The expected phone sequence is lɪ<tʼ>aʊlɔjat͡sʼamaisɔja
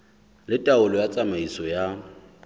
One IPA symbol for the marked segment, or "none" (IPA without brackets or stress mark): tʼ